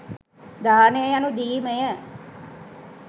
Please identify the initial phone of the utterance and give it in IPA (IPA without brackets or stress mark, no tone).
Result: d̪